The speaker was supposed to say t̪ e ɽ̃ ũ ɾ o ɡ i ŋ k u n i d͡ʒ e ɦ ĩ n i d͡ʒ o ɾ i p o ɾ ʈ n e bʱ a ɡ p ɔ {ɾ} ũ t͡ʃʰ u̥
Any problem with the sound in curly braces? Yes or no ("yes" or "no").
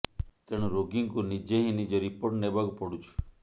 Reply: yes